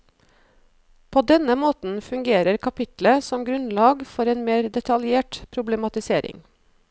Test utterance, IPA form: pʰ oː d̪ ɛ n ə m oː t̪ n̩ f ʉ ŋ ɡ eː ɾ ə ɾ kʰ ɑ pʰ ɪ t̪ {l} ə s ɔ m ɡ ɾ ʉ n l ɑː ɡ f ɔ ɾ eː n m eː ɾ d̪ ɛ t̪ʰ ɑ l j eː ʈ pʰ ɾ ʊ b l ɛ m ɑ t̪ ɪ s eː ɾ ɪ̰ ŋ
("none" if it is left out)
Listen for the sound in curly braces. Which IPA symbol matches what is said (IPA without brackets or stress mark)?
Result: l